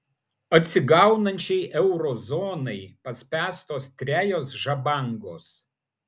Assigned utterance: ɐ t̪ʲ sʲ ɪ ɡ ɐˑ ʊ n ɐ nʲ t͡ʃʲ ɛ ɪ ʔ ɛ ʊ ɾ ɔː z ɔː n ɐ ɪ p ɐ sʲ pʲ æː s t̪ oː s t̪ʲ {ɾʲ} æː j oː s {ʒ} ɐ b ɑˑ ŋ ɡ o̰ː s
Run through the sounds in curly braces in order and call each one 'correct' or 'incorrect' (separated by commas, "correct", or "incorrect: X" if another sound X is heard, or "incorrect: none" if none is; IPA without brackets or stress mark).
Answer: correct, correct